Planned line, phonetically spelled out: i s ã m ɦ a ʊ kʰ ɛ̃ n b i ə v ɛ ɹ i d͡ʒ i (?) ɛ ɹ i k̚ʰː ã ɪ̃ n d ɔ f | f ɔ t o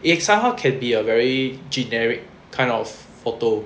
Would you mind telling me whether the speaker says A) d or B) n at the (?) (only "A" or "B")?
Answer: B